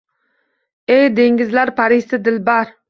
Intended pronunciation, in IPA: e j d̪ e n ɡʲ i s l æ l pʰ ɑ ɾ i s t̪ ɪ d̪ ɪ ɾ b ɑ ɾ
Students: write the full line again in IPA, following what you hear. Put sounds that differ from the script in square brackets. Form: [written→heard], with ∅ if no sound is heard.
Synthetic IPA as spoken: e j d̪ e [n→ŋ] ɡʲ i [s→z] l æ [l→ɾ] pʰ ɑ ɾ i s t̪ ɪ d̪ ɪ [ɾ→l] b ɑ ɾ